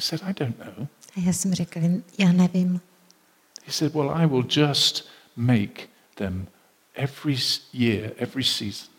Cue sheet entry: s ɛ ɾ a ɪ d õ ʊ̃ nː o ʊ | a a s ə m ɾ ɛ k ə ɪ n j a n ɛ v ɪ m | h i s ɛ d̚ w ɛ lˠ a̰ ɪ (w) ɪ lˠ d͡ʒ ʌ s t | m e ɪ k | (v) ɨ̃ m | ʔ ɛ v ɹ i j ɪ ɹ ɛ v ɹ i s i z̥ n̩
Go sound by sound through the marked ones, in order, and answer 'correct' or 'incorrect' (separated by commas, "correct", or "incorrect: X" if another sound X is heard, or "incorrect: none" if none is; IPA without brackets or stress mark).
correct, incorrect: ð